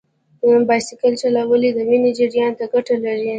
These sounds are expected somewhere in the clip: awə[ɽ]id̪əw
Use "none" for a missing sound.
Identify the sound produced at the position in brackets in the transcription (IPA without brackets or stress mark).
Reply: l